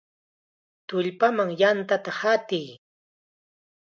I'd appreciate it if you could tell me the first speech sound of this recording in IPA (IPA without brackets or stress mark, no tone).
t̪